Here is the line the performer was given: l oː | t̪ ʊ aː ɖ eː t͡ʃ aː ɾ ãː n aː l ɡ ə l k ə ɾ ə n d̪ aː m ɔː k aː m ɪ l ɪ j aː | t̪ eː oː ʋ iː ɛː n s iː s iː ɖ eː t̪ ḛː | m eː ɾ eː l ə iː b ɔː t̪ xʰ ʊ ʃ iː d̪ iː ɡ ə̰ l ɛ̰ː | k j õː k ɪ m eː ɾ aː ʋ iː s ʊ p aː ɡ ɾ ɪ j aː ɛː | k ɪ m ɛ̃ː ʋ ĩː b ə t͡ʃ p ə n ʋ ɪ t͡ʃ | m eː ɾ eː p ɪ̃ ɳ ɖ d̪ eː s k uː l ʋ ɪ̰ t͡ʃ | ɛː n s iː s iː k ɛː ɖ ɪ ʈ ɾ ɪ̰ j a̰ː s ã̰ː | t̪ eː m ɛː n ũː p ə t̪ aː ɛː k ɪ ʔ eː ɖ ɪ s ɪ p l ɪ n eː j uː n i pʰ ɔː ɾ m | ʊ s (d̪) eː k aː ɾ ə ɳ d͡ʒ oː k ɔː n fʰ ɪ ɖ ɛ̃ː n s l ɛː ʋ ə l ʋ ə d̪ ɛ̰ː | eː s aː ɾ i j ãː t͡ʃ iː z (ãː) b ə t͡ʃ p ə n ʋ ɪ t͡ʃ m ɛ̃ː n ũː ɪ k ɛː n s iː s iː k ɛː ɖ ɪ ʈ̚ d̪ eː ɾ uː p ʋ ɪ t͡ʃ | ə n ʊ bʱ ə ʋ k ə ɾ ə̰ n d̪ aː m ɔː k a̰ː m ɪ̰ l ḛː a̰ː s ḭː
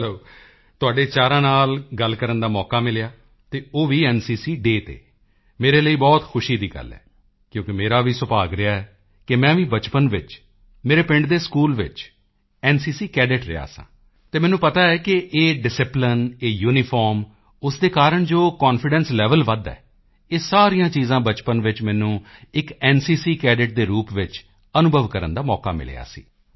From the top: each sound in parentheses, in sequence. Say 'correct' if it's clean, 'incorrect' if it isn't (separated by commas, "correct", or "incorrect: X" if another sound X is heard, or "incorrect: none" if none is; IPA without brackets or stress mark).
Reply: correct, correct